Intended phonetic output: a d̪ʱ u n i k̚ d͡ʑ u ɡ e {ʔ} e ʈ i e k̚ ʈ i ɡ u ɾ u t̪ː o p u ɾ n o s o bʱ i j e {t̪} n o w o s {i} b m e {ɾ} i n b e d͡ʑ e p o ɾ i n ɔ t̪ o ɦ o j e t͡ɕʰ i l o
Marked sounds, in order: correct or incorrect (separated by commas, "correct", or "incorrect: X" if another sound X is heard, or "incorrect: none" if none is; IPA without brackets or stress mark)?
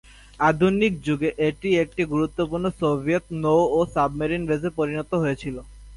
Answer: correct, correct, incorrect: a, correct